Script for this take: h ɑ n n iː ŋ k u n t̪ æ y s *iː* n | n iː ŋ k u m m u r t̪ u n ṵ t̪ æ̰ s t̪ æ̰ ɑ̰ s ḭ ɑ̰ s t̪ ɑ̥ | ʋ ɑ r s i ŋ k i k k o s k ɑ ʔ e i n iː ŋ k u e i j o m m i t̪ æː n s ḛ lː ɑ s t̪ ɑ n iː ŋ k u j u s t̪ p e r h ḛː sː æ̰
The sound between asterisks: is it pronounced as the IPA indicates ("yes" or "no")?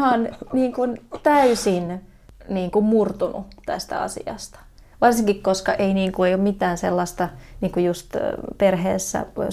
no